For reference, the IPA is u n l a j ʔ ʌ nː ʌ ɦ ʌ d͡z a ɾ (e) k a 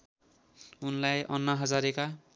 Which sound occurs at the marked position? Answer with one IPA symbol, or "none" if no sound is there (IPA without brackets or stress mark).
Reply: e